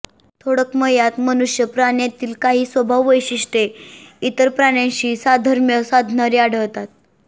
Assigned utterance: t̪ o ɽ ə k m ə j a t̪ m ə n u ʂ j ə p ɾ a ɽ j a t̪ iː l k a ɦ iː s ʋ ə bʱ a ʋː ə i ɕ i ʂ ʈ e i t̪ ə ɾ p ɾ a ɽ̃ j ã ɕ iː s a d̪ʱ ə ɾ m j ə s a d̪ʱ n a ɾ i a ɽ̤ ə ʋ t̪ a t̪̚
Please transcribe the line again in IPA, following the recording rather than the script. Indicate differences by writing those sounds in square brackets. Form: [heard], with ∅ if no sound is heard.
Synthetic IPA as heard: [t̪ʰ] o ɽ ə k m ə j a t̪ m ə n u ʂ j ə p ɾ a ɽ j a t̪ iː l k a ɦ iː s ʋ ə bʱ a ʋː ə [j] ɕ i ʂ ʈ e i t̪ ə ɾ p ɾ a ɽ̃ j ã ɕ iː s a d̪ʱ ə ɾ m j ə s a d̪ʱ n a ɾ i a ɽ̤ ə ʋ t̪ a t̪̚